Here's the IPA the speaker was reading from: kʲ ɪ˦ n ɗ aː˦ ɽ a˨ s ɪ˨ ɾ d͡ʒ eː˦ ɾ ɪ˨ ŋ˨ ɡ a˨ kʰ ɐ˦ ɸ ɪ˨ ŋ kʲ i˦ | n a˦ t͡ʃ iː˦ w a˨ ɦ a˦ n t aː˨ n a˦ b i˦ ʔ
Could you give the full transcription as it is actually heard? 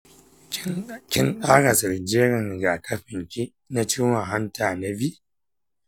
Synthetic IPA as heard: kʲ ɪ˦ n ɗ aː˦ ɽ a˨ s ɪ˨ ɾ d͡ʒ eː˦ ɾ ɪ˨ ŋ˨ ɡ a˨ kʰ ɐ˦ ɸ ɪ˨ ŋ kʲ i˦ | n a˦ t͡ʃ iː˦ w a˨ ɦ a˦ n t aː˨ n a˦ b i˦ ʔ